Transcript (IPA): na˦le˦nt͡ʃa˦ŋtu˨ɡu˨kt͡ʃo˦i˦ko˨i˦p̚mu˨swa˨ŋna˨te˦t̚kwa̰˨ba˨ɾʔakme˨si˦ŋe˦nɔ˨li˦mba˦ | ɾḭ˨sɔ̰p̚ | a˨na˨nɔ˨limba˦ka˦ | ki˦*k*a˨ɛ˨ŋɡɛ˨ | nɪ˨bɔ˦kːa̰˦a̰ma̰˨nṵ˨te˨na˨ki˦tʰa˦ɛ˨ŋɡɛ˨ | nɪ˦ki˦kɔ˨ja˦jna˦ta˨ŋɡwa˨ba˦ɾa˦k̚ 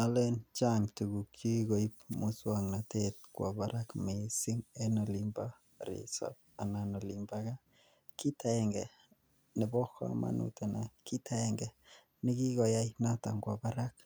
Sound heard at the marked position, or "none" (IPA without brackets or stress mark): t